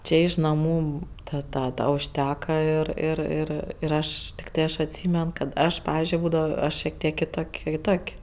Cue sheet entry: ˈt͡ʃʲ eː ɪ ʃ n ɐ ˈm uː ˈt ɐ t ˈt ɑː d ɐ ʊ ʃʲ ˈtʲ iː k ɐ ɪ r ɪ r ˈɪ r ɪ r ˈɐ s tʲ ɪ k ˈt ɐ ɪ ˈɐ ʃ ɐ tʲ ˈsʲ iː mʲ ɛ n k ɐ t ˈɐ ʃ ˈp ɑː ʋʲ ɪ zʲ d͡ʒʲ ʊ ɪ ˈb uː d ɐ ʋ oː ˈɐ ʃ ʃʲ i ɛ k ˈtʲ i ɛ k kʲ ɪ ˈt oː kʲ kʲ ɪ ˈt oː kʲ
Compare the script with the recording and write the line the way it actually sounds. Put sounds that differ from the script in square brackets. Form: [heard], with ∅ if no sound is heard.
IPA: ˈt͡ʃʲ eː ɪ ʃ n ɐ ˈm uː ˈt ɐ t ˈt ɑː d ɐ ʊ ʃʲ ˈtʲ [æː] k ɐ ɪ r ɪ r ˈɪ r ɪ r ˈɐ [ʃ] tʲ ɪ k ˈt ɐ ɪ ˈɐ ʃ ɐ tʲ ˈsʲ iː mʲ ɛ n k ɐ t ˈɐ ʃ ˈp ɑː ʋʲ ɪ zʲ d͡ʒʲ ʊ ɪ ˈb uː d ɐ ʋ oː ˈɐ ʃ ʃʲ i ɛ k ˈtʲ i ɛ k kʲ ɪ ˈt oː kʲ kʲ ɪ ˈt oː kʲ

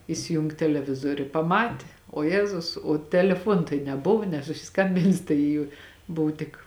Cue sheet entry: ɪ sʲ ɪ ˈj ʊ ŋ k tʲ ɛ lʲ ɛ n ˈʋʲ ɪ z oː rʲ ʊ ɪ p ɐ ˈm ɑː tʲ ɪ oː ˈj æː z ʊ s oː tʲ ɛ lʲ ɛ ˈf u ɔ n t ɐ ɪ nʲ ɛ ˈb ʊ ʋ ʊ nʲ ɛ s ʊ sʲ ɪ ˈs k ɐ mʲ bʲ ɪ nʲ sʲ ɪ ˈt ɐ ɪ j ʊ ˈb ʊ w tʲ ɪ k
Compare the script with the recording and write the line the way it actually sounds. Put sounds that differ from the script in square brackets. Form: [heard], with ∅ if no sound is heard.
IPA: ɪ sʲ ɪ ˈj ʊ ŋ k tʲ ɛ lʲ ɛ [∅] ˈʋʲ ɪ z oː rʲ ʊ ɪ p ɐ ˈm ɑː tʲ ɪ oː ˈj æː z ʊ s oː tʲ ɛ lʲ ɛ ˈf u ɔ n t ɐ ɪ nʲ ɛ ˈb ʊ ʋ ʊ nʲ ɛ s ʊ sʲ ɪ ˈs k ɐ mʲ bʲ ɪ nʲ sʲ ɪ ˈt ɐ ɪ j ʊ ˈb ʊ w tʲ ɪ k

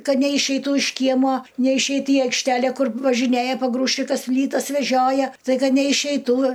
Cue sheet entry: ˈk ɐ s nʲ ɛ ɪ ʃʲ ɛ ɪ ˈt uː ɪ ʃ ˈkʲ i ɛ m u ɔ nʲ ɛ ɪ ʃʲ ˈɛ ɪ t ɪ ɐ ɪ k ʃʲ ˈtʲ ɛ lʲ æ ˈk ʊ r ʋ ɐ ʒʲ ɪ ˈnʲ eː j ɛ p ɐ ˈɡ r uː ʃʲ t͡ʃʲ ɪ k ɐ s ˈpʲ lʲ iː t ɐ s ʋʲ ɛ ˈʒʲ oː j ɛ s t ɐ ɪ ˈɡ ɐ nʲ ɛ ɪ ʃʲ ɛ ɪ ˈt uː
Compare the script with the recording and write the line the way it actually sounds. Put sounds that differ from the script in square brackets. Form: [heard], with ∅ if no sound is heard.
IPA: ˈk ɐ [t] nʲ ɛ ɪ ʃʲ ɛ ɪ ˈt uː ɪ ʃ ˈkʲ i ɛ m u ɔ nʲ ɛ ɪ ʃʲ ˈɛ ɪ t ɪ ɐ ɪ k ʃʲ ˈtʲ [æ] lʲ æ ˈk ʊ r ʋ ɐ ʒʲ ɪ ˈnʲ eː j ɛ p ɐ ˈɡ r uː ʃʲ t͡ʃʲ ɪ k ɐ s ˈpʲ lʲ iː t ɐ s ʋʲ ɛ ˈʒʲ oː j ɛ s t ɐ ɪ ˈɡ ɐ nʲ ɛ ɪ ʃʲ ɛ ɪ ˈt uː

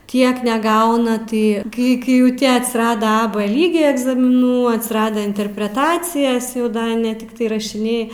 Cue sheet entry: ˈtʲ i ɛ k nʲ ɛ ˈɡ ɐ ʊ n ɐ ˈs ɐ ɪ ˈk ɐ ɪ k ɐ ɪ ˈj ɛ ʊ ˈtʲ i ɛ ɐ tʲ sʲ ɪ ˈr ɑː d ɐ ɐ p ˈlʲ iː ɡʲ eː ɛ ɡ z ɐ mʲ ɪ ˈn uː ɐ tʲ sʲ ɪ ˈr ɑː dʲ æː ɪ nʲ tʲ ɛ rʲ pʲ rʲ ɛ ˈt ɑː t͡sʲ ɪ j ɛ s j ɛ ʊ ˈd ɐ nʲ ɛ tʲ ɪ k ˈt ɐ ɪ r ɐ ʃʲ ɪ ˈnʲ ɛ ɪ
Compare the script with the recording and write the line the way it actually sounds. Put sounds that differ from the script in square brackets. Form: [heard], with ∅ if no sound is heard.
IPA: ˈtʲ i ɛ k nʲ ɛ ˈɡ ɐ ʊ n ɐ [ˈt] ɐ ɪ ˈk ɐ ɪ k ɐ ɪ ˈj ɛ ʊ ˈtʲ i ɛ ɐ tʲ sʲ ɪ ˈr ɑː d ɐ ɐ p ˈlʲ iː ɡʲ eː ɛ ɡ z ɐ mʲ ɪ ˈn uː ɐ tʲ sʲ ɪ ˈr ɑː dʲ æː ɪ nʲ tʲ ɛ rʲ pʲ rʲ ɛ ˈt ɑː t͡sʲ ɪ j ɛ s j ɛ ʊ ˈd ɐ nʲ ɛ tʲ ɪ k ˈt ɐ ɪ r ɐ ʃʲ ɪ ˈnʲ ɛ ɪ

